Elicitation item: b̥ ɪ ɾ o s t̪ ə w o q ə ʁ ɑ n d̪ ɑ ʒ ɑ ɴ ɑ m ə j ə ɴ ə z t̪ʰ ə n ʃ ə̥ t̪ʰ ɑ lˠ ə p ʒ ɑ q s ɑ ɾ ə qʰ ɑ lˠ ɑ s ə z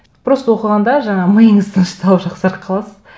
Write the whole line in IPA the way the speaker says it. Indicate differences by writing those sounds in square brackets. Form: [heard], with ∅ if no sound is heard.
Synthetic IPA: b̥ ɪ ɾ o s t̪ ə w o q ə ʁ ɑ n d̪ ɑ ʒ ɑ ɴ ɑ m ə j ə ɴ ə z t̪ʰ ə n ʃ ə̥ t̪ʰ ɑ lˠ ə p ʒ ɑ q s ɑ ɾ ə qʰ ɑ lˠ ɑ s ə z